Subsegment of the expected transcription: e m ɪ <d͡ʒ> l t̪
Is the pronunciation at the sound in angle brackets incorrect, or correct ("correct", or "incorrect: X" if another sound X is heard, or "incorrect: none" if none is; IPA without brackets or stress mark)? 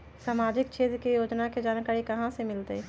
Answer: incorrect: none